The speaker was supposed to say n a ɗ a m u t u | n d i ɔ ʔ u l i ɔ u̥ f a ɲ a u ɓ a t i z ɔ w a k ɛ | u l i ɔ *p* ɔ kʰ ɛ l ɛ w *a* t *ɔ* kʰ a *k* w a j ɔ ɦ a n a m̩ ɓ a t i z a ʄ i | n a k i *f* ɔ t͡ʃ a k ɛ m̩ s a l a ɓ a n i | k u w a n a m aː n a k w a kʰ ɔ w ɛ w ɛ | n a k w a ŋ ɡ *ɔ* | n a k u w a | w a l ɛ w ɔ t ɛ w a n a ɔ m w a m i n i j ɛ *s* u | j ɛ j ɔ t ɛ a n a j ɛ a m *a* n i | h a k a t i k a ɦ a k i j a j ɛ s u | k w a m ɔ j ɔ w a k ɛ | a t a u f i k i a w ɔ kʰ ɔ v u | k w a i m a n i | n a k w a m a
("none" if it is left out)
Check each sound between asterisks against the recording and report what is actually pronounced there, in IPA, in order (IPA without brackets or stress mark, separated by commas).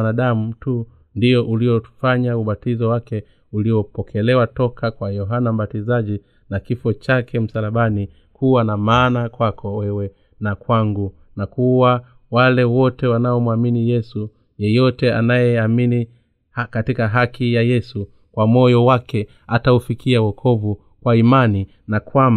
p, a, ɔ, k, f, u, s, i